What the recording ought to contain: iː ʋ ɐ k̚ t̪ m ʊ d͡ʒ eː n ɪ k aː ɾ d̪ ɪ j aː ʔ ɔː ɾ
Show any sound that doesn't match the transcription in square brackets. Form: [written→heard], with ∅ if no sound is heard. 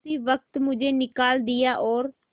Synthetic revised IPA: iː ʋ [ɐ→ə] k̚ t̪ m ʊ d͡ʒ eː n ɪ k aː [ɾ→l] d̪ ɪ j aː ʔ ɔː ɾ